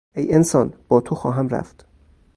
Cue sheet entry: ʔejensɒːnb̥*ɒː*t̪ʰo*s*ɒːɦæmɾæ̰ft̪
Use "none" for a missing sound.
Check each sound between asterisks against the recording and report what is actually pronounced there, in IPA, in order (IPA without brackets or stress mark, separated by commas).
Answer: ɒː, x